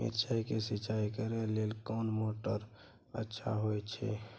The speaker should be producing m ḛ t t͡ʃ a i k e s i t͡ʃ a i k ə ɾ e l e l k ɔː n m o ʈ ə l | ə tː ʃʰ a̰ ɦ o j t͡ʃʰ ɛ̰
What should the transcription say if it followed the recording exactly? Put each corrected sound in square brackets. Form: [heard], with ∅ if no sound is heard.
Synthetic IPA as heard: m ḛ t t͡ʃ a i k e s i t͡ʃ a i k ə ɾ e l e l k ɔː n m o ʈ ə [ɾ] | ə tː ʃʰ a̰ ɦ o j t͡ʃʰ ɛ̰